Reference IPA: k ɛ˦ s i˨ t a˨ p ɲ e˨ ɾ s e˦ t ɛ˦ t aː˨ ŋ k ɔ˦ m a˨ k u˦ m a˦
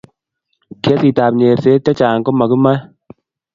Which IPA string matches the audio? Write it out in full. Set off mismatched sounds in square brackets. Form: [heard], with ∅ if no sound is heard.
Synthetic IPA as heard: k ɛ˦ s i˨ t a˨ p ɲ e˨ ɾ s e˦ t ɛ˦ [t͡ʃ] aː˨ ŋ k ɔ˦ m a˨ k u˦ m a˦